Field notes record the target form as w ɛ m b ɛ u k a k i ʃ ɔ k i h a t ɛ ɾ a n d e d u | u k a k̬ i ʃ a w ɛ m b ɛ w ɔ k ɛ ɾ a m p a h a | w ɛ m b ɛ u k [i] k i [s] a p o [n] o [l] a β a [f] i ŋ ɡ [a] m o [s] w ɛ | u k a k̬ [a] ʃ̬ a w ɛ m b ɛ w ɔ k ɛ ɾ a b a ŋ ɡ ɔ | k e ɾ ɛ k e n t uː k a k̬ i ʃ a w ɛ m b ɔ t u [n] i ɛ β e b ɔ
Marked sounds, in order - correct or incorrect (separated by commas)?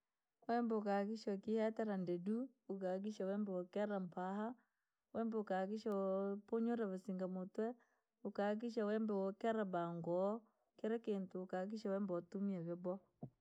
incorrect, incorrect, incorrect, incorrect, incorrect, correct, incorrect, incorrect, incorrect